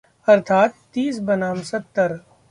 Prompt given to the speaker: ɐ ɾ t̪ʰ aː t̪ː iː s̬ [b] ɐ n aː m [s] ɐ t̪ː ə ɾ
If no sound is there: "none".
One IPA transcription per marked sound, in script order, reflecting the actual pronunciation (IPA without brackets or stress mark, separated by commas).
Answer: b, s